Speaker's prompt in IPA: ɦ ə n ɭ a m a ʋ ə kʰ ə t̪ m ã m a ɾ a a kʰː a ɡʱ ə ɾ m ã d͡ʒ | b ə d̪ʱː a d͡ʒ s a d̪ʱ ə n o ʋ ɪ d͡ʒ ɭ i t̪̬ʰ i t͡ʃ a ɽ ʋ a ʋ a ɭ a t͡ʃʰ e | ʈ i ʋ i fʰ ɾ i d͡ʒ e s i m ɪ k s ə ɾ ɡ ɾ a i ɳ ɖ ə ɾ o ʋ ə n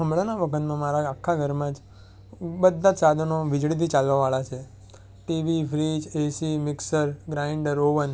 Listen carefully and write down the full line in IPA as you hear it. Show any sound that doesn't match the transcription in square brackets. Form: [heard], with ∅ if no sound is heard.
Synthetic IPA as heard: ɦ ə [m] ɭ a [n] a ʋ ə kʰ ə t̪ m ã m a ɾ a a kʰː a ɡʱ ə ɾ m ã d͡ʒ | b ə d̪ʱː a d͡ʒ s a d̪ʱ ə n o ʋ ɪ d͡ʒ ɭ i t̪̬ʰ i t͡ʃ a [l] ʋ a ʋ a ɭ a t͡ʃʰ e | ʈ i ʋ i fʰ ɾ i d͡ʒ e s i m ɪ k s ə ɾ ɡ ɾ a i ɳ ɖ ə ɾ o ʋ ə n